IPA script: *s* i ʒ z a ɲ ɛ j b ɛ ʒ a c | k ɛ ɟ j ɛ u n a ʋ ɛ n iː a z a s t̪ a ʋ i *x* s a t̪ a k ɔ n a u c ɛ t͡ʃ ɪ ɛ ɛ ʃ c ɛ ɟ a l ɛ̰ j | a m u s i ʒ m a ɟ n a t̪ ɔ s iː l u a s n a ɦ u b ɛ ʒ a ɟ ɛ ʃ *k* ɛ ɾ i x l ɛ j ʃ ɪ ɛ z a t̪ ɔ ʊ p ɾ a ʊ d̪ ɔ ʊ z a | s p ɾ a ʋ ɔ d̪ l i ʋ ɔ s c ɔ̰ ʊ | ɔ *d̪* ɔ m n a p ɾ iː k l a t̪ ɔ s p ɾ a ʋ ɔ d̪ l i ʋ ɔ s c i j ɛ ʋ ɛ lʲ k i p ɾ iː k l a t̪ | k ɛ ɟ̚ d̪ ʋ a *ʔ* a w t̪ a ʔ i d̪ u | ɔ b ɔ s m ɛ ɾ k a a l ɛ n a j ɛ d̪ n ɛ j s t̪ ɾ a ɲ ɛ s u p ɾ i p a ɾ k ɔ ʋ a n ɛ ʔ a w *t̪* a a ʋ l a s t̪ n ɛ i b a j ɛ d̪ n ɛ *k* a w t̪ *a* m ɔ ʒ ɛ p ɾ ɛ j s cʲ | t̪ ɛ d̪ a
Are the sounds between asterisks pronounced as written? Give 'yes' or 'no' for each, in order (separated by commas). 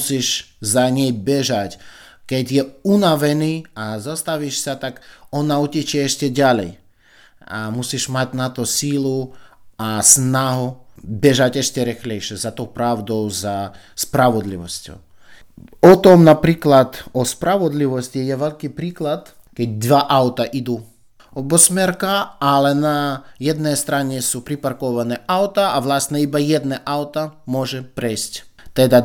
yes, no, no, no, yes, yes, no, yes